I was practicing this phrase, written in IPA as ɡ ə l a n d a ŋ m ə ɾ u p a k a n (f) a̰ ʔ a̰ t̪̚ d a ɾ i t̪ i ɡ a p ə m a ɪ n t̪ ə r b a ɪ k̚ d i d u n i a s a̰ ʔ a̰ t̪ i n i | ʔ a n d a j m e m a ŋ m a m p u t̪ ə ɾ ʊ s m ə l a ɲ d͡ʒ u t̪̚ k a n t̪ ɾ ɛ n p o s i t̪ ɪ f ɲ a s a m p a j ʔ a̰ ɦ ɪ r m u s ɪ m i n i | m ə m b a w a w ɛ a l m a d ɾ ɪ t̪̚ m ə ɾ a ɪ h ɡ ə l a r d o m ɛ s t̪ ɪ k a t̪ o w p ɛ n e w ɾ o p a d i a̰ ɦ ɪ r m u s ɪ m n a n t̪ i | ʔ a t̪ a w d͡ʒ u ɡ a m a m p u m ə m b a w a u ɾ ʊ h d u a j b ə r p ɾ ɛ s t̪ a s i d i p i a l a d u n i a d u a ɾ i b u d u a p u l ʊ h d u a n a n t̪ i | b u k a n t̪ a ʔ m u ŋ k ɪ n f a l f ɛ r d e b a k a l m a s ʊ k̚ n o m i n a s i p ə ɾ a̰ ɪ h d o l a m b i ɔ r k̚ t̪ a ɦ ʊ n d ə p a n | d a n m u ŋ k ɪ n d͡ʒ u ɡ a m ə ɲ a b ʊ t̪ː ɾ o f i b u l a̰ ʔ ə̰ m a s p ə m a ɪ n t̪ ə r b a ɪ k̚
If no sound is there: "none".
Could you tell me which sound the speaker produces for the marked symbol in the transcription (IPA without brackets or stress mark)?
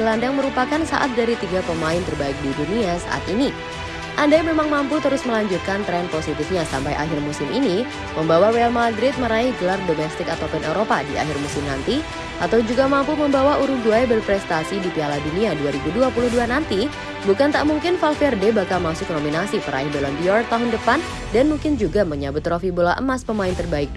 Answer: s